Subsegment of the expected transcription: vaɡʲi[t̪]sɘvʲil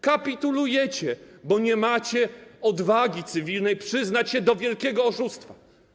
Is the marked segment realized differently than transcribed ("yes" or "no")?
no